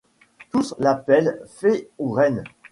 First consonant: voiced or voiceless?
voiceless